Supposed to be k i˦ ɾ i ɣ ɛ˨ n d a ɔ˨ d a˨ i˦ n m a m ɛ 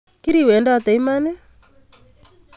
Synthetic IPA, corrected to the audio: k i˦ ɾ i w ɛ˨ n d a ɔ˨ t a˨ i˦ m a n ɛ